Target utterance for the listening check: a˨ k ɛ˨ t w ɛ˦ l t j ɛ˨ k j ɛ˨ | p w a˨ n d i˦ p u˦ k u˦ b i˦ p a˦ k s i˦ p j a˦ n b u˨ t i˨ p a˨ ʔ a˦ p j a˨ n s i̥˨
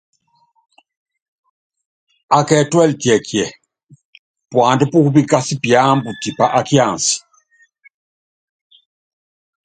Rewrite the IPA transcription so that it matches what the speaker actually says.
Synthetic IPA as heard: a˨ k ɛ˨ t w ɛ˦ l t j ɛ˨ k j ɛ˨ | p w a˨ n d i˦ p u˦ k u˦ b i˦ k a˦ s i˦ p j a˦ m b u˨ t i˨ p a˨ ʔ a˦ k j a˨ n s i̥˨